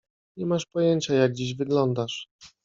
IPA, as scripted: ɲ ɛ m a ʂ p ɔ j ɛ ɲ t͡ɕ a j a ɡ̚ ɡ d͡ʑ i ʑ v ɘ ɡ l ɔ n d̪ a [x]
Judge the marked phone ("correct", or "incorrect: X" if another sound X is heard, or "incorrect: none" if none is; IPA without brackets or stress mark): incorrect: ʂ